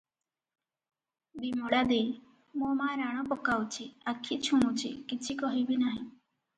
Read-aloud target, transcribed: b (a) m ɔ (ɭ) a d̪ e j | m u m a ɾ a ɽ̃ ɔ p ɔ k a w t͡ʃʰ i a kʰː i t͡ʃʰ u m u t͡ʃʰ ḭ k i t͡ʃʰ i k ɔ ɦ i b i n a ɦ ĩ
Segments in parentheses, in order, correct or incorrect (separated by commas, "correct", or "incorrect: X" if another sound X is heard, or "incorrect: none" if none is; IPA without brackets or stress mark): incorrect: i, incorrect: ɽ